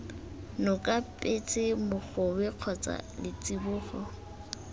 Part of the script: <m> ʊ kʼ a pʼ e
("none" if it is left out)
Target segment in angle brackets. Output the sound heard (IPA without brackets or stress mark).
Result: n